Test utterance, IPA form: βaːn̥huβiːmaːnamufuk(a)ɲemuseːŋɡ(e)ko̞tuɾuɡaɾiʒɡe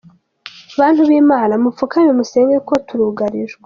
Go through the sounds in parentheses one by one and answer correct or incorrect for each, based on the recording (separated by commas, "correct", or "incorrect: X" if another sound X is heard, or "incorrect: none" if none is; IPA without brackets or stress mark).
correct, correct